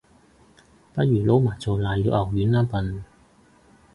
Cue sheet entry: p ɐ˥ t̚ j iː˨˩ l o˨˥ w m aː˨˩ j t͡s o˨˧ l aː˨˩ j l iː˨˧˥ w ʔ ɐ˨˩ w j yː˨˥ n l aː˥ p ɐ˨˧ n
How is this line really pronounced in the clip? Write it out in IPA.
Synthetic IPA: p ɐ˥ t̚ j yː˨˩ l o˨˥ w m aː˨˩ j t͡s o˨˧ l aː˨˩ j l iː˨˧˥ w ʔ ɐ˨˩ w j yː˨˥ n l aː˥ p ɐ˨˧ n

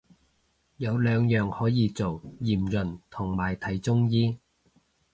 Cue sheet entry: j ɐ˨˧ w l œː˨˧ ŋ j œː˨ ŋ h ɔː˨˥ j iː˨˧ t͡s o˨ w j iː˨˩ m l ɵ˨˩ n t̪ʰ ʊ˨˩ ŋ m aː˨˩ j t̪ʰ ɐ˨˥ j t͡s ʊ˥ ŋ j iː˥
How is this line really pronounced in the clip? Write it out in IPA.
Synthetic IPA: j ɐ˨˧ w l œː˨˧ ŋ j œː˨ ŋ h ɔː˨˥ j iː˨˧ t͡s o˨ w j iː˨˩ m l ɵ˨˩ n t̪ʰ ʊ˨˩ ŋ m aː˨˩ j t̪ʰ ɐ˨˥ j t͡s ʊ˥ ŋ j iː˥

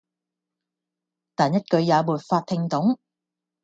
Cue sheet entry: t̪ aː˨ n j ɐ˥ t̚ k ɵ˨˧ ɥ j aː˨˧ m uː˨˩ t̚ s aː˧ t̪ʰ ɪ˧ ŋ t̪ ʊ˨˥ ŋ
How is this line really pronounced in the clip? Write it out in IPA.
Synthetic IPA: t̪ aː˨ n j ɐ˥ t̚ k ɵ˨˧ ɥ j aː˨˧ m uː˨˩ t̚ f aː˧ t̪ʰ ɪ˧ ŋ t̪ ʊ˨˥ ŋ

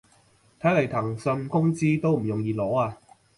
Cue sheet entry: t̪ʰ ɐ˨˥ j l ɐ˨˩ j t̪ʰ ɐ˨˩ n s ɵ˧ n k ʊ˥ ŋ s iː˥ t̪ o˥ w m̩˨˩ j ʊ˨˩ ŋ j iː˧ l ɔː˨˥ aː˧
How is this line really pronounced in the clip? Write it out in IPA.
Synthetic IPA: t̪ʰ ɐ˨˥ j l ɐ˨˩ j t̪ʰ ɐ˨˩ ŋ s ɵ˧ n k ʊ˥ ŋ t͡s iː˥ t̪ o˥ w m̩˨˩ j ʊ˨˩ ŋ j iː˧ l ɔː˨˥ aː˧

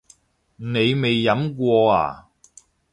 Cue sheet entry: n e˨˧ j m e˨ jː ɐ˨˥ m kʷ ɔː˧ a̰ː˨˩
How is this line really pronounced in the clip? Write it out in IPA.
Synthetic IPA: n e˨˧ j m e˨ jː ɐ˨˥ m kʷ ɔː˧ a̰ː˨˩

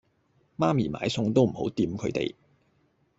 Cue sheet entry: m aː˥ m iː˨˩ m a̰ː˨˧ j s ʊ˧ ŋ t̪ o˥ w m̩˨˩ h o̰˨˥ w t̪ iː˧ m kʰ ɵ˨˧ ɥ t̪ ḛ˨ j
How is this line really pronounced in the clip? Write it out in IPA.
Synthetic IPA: m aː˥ m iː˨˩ m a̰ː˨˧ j s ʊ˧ ŋ t̪ o˥ w m̩˨˩ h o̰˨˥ w t̪ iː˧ m kʰ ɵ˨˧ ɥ t̪ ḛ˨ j

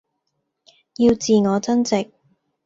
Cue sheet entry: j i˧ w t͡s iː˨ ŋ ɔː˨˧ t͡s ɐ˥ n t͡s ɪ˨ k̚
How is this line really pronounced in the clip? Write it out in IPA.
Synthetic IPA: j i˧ w t͡s iː˨ ŋ ɔː˨˧ t͡s ɐ˥ n t͡s ɪ˨ k̚

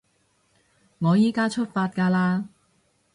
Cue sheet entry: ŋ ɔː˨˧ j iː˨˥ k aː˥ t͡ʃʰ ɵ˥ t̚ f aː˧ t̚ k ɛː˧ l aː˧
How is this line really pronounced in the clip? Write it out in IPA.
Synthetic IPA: ŋ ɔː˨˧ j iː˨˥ k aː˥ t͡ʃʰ ɵ˥ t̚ f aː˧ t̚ k aː˧ l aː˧

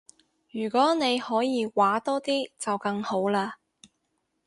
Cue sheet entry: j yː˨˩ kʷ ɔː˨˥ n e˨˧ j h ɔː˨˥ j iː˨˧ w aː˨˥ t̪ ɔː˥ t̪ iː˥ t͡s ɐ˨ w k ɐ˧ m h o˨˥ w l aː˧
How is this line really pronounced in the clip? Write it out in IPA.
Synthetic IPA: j yː˨˩ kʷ ɔː˨˥ n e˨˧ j h ɔː˨˥ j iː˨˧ w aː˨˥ t̪ ɔː˥ t̪ iː˥ t͡s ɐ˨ w k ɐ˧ ŋ h o˨˥ w l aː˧

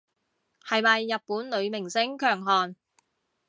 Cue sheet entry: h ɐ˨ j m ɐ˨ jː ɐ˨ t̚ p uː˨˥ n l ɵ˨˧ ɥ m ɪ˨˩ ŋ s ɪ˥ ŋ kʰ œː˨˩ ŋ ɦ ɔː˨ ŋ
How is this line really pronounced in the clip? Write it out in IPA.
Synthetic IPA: h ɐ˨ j m ɐ˨ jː ɐ˨ t̚ p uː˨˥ n l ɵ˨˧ ɥ m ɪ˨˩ ŋ s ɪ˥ ŋ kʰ œː˨˩ ŋ ɦ ɔː˨ n

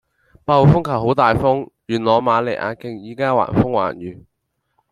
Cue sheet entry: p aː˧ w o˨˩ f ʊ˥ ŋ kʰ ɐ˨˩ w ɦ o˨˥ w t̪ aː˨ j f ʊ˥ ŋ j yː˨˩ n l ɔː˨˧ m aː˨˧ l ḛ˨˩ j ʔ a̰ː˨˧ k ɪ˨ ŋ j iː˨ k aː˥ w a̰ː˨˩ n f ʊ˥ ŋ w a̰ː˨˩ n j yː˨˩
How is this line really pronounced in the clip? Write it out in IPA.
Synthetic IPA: p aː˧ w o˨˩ f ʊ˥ ŋ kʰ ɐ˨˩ w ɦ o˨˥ w t̪ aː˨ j f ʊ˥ ŋ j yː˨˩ n l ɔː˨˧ m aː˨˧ l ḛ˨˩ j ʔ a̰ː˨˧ k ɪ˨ ŋ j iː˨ k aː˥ w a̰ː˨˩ n f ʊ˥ ŋ w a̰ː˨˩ n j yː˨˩

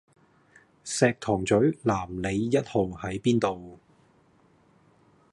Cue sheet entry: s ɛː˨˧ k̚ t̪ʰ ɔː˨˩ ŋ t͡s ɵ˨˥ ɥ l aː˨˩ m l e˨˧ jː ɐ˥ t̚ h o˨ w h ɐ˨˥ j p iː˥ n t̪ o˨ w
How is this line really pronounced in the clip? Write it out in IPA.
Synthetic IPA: s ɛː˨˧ k̚ t̪ʰ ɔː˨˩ ŋ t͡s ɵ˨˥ ɥ l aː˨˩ m l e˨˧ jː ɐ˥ t̚ h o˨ w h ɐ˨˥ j p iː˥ n t̪ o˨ w

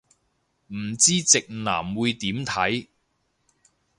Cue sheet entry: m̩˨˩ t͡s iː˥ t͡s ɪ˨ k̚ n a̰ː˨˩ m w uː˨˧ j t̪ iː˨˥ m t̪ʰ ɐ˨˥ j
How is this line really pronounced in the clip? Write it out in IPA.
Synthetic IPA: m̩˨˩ t͡s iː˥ t͡s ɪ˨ k̚ n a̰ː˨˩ m w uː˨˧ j t̪ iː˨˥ m t̪ʰ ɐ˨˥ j

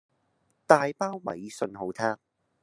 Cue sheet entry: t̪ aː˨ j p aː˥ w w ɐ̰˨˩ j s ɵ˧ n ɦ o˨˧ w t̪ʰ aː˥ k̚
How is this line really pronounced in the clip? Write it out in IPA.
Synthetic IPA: t̪ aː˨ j p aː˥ w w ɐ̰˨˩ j s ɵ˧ n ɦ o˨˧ w t̪ʰ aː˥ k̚

